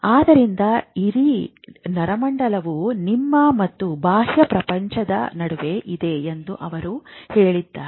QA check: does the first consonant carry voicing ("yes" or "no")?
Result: yes